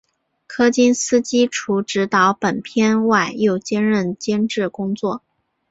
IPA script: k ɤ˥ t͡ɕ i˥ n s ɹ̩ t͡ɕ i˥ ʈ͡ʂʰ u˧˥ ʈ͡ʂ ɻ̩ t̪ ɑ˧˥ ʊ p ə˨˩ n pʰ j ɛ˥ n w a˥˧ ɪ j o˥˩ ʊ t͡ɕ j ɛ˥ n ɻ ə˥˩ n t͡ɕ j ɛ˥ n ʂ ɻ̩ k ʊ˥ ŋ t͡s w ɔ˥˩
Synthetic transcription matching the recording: kʰ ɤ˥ t͡ɕ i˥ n s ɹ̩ t͡ɕ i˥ ʈ͡ʂʰ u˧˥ ʈ͡ʂ ɻ̩ t̪ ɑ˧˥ ʊ p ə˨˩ n pʰ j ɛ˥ n w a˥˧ ɪ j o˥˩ ʊ t͡ɕ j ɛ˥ n ɻ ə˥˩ n t͡ɕ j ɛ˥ n ʈ͡ʂ ɻ̩ k ʊ˥ ŋ t͡s w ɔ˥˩